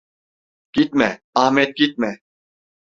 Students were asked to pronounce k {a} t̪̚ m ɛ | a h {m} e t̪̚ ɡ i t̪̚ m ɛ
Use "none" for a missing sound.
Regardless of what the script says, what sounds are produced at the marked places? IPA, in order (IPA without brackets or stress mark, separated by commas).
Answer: i, m